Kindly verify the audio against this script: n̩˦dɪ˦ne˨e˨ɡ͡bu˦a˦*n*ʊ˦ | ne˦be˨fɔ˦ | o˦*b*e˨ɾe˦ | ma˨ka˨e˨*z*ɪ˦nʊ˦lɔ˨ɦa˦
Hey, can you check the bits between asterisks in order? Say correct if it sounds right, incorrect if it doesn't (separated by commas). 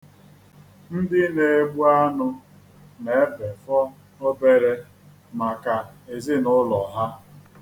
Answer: correct, correct, correct